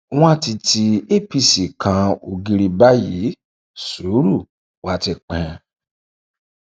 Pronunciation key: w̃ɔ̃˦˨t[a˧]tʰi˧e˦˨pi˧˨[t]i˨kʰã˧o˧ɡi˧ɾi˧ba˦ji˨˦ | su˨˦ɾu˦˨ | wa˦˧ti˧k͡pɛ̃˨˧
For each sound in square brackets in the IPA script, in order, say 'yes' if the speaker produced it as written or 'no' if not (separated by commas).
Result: no, no